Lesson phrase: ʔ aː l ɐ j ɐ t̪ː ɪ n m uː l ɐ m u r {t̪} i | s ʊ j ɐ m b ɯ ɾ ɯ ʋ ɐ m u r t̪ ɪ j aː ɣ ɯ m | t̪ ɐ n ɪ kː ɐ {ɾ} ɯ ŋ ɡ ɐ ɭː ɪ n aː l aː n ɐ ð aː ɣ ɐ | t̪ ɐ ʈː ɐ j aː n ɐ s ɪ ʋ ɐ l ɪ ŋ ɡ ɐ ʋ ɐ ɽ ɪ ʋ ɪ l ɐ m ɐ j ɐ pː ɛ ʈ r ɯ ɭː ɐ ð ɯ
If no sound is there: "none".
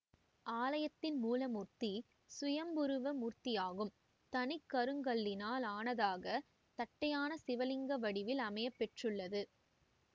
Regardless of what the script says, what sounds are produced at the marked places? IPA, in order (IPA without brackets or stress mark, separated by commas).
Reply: t̪, ɾ